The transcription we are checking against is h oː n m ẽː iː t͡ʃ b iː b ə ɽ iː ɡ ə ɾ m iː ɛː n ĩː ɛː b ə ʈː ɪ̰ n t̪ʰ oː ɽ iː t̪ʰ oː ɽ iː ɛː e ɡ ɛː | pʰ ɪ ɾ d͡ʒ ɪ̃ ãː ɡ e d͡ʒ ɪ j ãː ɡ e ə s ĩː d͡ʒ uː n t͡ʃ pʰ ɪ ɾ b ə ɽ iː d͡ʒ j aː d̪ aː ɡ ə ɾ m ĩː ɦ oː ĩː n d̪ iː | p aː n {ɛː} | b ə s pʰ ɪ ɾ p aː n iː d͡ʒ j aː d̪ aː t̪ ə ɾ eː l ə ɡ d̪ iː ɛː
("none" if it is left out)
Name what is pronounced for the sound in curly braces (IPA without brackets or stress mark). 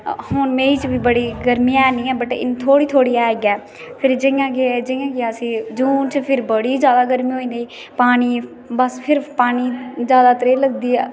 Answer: iː